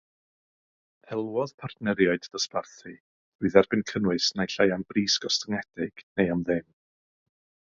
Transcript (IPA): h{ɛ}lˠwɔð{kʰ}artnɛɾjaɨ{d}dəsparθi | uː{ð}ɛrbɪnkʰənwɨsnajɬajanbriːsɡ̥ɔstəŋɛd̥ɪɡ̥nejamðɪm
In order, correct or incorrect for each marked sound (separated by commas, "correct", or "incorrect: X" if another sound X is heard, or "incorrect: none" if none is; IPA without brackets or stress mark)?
correct, incorrect: pʰ, correct, correct